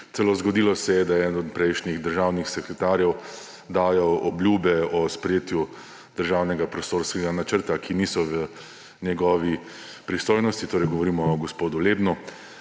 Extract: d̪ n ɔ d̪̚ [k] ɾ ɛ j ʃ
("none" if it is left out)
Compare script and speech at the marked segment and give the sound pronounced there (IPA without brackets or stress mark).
p